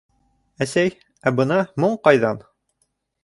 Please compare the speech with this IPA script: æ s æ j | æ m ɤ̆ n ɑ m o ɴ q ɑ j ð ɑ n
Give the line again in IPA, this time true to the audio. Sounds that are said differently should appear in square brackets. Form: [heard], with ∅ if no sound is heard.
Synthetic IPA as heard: æ s æ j | æ [b] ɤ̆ n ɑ m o ɴ q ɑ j ð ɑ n